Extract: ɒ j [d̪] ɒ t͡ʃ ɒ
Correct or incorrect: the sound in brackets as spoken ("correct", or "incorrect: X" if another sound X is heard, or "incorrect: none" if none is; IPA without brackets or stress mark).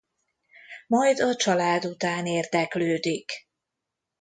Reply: correct